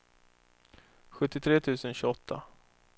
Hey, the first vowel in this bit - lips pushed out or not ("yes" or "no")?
yes